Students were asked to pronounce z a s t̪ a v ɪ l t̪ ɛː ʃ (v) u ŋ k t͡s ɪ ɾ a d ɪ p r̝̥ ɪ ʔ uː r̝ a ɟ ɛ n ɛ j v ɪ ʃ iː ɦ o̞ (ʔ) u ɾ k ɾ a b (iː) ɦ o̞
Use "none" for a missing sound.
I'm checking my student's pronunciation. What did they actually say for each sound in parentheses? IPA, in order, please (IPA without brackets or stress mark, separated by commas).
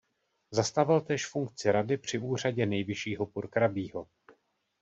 f, p, iː